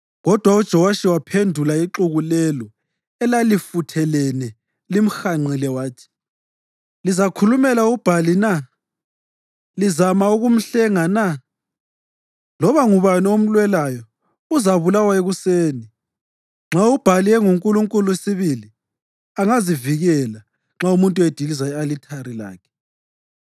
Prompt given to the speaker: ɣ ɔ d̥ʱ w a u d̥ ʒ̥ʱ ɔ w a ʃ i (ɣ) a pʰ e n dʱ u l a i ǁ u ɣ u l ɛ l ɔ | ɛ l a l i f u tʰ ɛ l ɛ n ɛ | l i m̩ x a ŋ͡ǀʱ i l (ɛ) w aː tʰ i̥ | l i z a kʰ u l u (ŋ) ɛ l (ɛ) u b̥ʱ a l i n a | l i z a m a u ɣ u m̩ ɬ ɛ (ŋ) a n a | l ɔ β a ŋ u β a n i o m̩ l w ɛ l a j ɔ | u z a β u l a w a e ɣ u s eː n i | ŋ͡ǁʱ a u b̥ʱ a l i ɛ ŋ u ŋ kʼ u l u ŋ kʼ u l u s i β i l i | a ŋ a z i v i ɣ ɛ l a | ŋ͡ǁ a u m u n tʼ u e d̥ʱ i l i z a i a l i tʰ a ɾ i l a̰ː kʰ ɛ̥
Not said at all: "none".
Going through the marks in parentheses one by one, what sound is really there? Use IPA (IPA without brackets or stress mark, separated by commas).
w, ɛ, m, a, ŋ